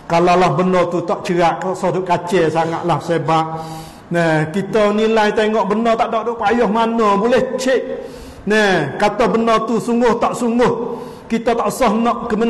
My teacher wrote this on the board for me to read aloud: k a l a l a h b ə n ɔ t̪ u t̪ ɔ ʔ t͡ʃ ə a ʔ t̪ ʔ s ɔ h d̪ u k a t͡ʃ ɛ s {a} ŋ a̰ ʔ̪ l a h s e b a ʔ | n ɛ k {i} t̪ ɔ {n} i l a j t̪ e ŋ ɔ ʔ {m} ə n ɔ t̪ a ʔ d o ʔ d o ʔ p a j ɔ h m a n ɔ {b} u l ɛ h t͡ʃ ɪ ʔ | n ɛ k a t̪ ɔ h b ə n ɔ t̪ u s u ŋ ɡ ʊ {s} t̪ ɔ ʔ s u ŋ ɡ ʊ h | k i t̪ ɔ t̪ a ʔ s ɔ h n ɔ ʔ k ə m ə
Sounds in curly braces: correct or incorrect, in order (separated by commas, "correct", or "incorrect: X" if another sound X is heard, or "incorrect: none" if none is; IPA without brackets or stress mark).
correct, correct, correct, incorrect: b, correct, incorrect: h